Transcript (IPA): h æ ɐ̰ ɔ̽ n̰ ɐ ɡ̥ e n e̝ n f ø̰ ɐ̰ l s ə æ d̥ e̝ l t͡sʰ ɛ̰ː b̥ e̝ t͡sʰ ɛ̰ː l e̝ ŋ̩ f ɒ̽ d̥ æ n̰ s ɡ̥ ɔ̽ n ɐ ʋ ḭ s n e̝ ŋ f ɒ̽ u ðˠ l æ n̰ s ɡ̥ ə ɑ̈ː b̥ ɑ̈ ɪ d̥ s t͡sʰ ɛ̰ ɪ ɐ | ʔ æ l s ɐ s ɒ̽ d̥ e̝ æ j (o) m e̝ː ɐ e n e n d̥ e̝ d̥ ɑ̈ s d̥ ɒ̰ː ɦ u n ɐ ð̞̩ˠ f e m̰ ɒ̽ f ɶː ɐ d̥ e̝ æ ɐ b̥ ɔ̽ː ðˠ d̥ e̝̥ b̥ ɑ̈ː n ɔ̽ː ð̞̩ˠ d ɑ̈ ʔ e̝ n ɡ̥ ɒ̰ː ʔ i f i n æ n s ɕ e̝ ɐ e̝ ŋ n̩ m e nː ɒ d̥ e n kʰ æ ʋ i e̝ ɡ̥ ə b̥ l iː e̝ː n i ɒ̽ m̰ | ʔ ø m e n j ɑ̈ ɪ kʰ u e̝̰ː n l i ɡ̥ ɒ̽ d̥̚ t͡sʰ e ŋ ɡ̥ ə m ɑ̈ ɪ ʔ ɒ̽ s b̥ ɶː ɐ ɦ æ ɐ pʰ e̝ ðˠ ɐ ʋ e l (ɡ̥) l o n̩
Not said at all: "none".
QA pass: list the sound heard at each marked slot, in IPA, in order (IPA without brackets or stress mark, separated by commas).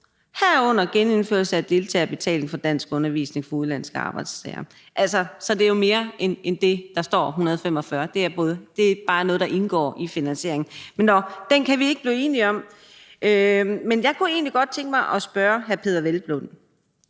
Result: o, b̥